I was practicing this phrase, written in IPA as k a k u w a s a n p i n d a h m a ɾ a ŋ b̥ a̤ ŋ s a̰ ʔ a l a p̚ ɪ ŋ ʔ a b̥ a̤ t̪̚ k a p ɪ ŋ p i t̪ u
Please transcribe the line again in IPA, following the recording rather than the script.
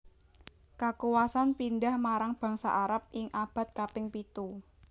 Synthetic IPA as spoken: k a k u w a s a n p i n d a h m a ɾ a ŋ b̥ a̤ ŋ s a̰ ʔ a ɾ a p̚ ɪ ŋ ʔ a b̥ a̤ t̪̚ k a p ɪ ŋ p i t̪ u